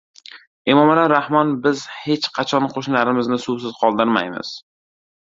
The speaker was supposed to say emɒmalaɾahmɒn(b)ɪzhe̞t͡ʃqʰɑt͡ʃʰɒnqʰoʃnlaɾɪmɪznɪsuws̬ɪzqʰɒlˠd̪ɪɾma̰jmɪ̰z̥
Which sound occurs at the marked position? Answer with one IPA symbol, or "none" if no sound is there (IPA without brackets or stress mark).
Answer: b